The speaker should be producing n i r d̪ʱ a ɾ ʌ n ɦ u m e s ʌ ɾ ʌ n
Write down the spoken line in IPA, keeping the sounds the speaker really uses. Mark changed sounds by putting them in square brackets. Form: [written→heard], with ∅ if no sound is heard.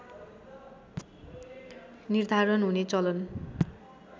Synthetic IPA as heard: n i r d̪ʱ a ɾ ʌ n ɦ u [m→n] e [s→t͡s] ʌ [ɾ→l] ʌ n